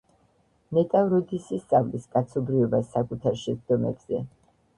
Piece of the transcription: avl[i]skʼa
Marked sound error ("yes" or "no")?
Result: no